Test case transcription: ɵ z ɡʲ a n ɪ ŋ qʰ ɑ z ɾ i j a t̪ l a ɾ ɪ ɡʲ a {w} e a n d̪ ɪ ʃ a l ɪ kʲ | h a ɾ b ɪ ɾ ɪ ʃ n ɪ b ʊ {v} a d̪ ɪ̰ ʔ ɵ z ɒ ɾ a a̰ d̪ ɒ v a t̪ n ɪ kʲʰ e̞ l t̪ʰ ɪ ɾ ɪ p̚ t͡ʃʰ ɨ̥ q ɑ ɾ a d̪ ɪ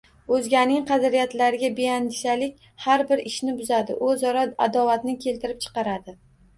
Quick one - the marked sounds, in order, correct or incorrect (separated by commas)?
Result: incorrect, incorrect